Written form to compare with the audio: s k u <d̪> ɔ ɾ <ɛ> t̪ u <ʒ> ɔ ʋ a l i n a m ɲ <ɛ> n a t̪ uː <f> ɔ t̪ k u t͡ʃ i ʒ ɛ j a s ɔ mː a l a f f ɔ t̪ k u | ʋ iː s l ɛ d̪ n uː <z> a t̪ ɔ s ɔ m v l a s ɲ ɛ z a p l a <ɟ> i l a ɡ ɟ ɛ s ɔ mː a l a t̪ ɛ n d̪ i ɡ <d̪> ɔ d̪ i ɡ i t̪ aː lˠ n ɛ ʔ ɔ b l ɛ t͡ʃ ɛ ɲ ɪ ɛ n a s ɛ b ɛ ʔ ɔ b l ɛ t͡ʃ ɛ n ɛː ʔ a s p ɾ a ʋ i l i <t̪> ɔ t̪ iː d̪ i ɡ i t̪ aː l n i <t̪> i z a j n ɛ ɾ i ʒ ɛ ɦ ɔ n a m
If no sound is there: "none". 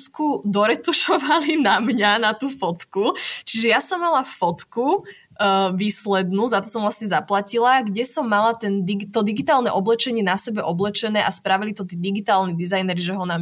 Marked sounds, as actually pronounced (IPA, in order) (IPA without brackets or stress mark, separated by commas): d̪, ɛ, ʃ, a, f, z, c, t̪, t̪, d̪